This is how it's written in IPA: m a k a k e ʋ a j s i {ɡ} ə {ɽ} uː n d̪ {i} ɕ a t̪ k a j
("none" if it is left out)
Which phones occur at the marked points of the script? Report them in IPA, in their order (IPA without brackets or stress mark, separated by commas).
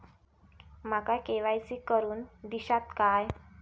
k, ɾ, i